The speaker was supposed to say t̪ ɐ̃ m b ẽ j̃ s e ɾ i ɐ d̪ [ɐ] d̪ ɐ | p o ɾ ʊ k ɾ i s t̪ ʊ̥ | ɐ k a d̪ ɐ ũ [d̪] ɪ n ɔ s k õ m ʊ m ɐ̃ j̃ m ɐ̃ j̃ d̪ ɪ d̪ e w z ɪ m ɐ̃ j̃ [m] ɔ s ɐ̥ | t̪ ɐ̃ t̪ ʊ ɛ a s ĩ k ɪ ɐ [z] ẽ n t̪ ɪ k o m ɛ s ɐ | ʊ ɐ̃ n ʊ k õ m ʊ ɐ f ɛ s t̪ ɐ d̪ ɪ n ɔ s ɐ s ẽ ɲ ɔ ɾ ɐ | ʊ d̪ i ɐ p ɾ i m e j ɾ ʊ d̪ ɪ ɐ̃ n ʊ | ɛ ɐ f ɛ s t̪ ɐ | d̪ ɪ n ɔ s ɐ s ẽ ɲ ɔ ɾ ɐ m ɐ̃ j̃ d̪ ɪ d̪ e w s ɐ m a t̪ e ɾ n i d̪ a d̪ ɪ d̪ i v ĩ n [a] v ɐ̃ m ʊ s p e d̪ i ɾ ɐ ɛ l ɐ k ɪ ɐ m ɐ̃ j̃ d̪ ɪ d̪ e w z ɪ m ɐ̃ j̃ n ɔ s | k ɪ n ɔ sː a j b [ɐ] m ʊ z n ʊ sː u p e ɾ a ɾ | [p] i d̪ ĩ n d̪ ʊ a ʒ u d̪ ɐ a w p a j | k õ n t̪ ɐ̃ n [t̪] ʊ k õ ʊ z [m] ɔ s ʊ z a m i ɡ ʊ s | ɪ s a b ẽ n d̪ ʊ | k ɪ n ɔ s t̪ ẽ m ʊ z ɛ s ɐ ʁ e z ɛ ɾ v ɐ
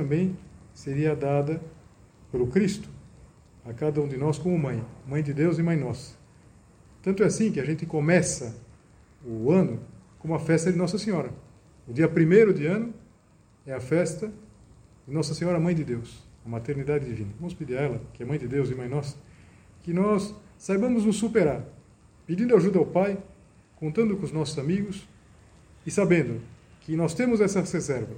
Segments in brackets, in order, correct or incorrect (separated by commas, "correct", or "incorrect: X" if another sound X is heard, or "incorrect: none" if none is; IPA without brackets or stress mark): incorrect: a, correct, incorrect: n, incorrect: ʒ, incorrect: ɐ, incorrect: ɐ̃, correct, incorrect: d̪, incorrect: n